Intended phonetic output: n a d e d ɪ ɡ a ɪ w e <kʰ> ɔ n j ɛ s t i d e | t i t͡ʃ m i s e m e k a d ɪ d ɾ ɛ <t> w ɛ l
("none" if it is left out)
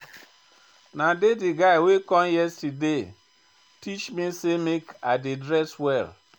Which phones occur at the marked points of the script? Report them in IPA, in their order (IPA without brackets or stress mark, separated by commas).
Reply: k, s